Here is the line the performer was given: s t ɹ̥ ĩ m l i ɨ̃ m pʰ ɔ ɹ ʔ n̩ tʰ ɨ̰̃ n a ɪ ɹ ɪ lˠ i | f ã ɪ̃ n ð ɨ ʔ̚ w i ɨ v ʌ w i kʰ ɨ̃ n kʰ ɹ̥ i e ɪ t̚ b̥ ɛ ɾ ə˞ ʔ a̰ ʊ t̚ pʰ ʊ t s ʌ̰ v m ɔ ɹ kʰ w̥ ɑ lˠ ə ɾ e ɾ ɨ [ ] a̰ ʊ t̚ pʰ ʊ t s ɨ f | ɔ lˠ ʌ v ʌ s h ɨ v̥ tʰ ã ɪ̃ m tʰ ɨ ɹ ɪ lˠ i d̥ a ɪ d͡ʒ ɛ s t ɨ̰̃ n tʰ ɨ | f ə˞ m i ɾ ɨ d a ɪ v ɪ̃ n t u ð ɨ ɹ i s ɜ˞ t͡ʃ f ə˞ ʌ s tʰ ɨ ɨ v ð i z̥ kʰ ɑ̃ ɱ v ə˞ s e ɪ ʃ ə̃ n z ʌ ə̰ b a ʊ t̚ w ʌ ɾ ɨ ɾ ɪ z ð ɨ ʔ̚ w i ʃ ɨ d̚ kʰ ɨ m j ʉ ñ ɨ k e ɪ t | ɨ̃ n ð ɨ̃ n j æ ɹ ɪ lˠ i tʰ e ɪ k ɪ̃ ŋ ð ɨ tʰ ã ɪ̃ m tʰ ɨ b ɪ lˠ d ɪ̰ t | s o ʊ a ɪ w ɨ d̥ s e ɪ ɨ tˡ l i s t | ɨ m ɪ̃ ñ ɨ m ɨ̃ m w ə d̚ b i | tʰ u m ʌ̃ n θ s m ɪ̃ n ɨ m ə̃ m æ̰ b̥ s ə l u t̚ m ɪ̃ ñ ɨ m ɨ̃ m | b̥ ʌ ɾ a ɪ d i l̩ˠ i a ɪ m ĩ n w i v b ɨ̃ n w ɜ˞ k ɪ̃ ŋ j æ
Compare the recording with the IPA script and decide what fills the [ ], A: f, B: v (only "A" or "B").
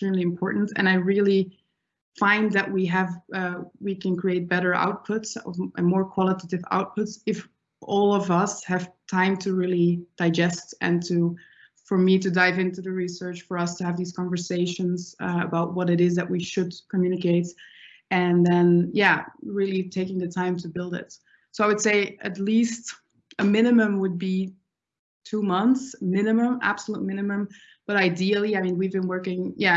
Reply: B